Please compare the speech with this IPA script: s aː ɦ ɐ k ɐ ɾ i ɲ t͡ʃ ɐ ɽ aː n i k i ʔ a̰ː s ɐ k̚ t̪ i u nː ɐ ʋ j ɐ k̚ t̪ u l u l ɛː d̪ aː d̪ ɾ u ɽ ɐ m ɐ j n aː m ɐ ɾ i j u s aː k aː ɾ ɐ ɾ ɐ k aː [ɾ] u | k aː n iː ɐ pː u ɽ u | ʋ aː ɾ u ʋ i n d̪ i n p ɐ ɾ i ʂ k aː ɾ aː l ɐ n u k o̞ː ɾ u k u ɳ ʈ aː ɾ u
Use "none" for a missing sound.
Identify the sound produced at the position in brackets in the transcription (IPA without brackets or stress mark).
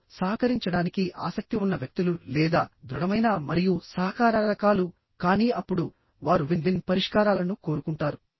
l